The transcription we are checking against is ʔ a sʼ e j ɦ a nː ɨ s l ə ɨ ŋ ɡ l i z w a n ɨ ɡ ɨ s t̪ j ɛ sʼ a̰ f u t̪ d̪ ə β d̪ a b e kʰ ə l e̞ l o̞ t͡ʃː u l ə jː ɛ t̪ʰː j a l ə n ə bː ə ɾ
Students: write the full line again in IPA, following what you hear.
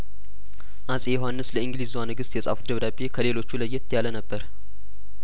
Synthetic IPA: ʔ a sʼ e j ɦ a nː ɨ s l ə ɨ ŋ ɡ l i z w a n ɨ ɡ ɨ s t̪ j ɛ sʼ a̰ f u t̪ d̪ ə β d̪ a b e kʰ ə l e̞ l o̞ t͡ʃː u l ə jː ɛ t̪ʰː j a l ə n ə bː ə ɾ